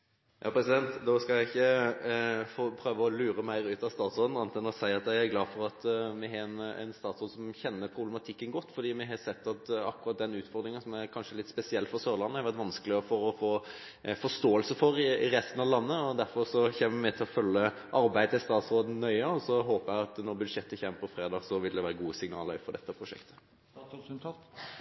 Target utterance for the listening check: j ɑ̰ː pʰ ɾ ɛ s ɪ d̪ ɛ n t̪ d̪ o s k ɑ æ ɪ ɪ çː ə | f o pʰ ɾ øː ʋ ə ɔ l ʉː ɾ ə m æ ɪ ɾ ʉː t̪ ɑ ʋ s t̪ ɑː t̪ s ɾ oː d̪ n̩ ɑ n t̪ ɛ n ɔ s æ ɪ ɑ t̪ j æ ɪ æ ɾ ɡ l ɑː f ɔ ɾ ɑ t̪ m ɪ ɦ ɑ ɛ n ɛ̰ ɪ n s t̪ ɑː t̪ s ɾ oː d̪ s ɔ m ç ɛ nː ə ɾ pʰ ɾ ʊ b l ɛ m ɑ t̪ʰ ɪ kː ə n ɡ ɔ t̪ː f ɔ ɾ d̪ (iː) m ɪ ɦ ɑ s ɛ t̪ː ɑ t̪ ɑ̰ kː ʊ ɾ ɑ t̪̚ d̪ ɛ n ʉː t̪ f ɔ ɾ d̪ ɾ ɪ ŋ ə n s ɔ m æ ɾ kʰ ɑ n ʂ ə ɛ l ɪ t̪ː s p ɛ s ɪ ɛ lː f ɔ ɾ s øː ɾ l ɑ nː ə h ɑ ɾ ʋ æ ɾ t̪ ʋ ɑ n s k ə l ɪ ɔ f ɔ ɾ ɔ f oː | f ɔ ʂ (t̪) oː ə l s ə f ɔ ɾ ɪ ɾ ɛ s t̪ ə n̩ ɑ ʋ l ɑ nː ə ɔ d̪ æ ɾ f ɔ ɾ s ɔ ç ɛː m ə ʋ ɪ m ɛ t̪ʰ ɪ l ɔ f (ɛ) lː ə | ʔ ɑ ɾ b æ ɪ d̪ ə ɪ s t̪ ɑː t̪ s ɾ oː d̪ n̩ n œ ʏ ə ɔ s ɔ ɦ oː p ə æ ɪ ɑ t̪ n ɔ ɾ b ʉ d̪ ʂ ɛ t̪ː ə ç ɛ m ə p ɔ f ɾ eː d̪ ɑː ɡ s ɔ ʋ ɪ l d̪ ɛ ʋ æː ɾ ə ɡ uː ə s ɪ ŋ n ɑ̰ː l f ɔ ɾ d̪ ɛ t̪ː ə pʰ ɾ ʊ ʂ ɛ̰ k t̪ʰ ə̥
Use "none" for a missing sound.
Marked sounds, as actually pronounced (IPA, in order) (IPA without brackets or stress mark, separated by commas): iː, t̪, œ